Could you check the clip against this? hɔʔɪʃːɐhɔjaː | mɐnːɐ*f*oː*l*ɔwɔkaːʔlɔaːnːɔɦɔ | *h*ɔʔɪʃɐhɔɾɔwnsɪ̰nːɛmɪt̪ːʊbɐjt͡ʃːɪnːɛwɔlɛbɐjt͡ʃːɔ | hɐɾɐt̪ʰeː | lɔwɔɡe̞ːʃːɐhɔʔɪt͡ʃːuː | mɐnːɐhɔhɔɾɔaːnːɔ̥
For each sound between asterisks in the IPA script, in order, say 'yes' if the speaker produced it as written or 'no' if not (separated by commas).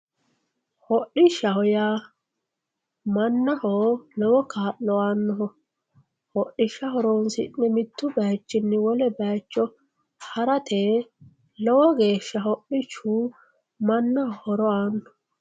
no, yes, yes